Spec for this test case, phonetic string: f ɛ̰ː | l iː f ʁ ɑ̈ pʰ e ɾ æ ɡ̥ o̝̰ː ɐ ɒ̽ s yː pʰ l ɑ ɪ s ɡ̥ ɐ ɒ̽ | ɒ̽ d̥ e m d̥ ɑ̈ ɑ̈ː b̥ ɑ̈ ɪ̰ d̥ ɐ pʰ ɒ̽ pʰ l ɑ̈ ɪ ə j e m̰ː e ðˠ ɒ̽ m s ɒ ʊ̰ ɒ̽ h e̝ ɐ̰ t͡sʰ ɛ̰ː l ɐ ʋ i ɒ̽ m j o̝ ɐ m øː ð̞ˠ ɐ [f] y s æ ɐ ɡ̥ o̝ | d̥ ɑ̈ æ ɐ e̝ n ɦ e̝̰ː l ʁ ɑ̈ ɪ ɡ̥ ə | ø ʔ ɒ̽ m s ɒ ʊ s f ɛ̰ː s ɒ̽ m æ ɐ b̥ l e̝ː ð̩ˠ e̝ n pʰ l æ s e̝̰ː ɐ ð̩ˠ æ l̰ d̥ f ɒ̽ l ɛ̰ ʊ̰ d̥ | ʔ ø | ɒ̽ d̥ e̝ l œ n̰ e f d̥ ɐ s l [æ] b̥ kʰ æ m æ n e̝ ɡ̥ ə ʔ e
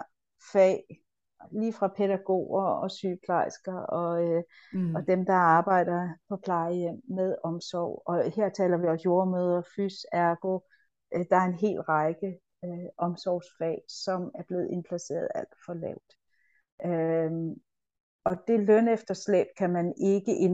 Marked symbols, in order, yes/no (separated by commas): yes, no